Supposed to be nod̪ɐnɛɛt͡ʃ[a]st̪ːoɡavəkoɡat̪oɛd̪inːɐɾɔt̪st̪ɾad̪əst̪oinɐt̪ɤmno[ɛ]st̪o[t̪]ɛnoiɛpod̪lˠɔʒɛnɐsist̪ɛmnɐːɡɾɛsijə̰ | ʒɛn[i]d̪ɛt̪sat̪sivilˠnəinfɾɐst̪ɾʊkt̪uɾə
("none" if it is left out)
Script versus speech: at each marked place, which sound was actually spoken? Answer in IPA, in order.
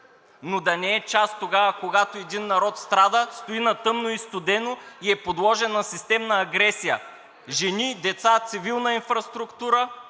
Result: a, i, d̪, i

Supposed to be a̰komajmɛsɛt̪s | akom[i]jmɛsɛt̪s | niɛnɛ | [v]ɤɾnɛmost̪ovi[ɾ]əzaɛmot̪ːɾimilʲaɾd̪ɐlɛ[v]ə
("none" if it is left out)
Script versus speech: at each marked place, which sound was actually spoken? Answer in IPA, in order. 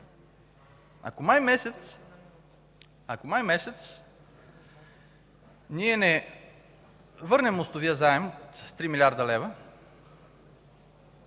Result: a, v, none, v

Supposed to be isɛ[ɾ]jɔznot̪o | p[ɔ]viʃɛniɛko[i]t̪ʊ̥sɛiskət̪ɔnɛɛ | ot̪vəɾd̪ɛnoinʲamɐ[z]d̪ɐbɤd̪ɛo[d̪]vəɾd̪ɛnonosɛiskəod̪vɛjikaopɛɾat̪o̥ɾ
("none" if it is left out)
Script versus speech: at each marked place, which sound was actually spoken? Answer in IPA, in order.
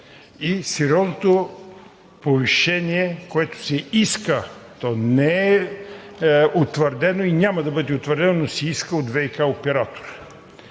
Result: ɾ, o, ɛ, none, t̪

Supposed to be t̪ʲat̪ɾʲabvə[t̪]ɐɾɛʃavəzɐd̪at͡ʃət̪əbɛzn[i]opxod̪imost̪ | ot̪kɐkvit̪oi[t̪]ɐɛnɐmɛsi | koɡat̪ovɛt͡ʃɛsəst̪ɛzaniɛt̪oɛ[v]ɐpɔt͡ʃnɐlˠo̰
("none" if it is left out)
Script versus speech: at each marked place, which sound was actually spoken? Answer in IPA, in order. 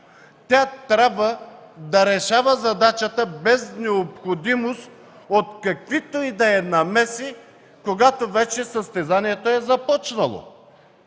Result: d̪, ɛ, d̪, z

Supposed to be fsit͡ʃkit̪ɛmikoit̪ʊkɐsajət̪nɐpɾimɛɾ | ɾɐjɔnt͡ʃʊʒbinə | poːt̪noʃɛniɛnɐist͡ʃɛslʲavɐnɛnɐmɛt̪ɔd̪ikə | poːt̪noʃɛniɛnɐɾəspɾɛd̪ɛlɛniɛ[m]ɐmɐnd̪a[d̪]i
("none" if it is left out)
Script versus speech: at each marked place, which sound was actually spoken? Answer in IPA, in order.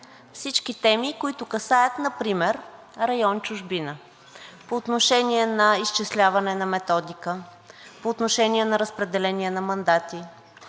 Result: n, t̪

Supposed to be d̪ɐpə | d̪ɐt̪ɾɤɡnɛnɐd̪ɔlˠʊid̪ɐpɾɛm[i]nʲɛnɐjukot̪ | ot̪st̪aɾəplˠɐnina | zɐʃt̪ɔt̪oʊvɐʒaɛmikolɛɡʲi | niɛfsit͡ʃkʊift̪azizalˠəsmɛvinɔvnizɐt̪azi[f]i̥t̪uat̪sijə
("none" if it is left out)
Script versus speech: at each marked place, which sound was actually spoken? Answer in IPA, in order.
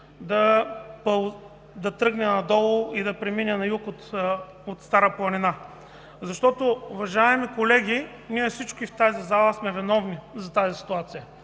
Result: i, s

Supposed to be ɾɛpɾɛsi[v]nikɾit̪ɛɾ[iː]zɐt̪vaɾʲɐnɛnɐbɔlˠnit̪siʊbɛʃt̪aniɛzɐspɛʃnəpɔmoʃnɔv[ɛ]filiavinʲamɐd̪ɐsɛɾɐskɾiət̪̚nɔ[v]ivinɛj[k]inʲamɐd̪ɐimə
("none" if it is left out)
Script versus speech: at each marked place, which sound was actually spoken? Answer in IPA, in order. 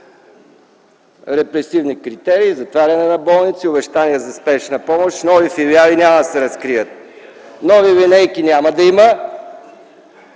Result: v, iː, i, v, k

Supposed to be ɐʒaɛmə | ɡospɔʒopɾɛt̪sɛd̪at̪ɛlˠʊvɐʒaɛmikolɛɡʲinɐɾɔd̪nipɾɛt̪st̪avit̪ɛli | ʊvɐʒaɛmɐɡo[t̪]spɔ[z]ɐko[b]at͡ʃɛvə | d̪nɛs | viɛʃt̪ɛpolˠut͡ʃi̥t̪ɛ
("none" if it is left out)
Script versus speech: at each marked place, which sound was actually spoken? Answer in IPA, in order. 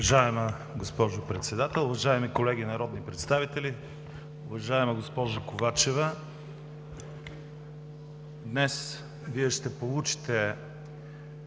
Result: none, ʒ, v

